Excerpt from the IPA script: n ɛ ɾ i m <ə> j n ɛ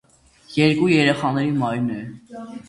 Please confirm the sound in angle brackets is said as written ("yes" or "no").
no